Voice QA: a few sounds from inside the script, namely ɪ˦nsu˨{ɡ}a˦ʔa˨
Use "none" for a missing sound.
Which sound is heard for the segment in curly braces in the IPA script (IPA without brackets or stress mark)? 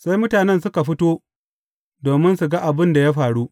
ɡ